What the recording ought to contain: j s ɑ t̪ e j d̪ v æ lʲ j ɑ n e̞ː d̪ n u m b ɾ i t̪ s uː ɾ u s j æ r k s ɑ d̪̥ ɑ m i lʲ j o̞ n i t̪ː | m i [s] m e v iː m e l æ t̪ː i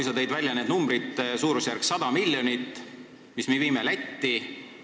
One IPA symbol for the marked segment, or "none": s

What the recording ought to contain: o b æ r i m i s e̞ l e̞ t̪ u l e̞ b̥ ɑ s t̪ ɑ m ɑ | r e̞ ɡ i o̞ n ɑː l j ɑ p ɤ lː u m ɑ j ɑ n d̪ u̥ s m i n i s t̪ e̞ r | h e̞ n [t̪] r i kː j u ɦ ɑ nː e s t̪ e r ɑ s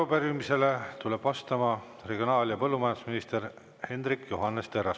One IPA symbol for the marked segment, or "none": d̪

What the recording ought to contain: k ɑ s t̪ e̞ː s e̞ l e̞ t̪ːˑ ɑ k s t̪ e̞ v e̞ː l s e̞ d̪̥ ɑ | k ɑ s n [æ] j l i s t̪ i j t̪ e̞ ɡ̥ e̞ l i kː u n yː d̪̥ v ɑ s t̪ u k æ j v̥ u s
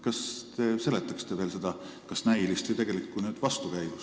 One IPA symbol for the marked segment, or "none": æ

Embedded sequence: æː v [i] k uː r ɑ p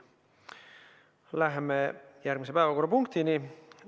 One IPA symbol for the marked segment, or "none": æ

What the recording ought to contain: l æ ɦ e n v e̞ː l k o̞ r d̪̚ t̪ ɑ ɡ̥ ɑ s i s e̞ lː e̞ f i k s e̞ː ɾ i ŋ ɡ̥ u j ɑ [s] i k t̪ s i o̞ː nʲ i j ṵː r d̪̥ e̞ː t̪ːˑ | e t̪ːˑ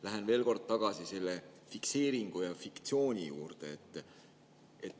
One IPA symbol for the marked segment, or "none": f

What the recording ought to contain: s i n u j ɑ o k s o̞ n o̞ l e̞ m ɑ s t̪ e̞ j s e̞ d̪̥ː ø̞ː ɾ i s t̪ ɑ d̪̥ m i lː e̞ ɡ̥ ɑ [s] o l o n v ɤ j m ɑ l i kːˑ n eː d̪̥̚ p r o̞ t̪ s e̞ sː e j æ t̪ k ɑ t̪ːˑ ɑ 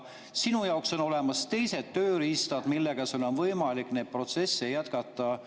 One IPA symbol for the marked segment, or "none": s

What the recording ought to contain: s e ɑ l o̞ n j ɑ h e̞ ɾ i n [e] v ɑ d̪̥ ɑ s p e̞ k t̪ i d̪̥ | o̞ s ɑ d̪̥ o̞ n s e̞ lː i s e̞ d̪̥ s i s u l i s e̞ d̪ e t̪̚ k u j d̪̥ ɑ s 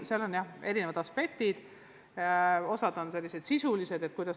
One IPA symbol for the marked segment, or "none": e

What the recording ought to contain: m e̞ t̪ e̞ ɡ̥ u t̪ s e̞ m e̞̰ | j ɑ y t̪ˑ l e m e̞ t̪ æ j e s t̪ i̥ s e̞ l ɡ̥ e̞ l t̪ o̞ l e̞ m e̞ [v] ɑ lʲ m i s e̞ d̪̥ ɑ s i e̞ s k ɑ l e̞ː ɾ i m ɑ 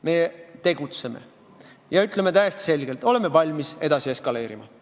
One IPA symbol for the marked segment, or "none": v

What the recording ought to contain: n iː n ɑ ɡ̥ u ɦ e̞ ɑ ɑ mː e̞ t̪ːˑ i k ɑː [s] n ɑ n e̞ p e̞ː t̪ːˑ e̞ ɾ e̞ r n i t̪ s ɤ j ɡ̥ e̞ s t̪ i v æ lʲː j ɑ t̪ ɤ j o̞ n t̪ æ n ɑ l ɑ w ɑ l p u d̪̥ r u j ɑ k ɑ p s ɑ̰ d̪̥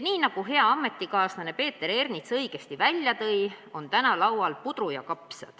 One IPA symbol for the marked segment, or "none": s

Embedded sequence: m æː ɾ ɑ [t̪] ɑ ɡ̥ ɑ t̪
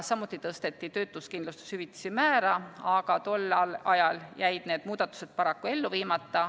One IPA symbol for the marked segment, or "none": none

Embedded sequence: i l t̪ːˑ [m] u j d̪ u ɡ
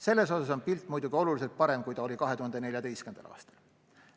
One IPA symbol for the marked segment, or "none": m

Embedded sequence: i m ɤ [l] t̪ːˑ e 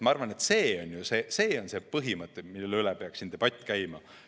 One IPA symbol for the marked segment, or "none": none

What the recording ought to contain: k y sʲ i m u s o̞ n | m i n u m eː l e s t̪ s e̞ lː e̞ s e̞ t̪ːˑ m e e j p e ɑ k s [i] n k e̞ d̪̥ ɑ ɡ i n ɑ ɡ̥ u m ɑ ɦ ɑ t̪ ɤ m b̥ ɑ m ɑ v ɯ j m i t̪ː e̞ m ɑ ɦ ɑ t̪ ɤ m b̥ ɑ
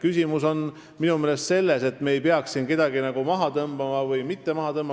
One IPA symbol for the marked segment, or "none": i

